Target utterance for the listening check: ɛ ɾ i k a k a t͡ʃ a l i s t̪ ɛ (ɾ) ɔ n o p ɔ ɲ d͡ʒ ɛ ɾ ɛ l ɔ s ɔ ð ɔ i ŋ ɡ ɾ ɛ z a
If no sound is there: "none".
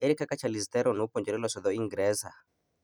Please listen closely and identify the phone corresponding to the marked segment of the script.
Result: ɾ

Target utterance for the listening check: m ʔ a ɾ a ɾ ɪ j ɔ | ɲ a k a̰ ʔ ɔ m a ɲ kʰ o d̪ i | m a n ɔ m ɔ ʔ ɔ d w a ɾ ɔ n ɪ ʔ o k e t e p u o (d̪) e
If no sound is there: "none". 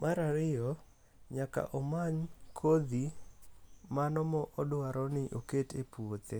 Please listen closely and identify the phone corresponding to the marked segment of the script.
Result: t̪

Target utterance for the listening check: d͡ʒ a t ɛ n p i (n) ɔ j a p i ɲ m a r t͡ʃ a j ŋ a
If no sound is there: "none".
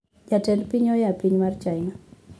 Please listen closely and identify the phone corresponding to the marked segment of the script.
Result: ɲ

